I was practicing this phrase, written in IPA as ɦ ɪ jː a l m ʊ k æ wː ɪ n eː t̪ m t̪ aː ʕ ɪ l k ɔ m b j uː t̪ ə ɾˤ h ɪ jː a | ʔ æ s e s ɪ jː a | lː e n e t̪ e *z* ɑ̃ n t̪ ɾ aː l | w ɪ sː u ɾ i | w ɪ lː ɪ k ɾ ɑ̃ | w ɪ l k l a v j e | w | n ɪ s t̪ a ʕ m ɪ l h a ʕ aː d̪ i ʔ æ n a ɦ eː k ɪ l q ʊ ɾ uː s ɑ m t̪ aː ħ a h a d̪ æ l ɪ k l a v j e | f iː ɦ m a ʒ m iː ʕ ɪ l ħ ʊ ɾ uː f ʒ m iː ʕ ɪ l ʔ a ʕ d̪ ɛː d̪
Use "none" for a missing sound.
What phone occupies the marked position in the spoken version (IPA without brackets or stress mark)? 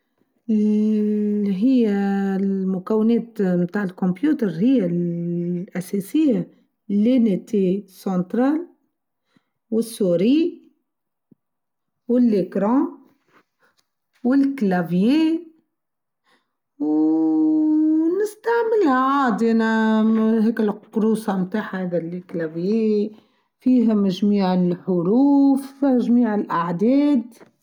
s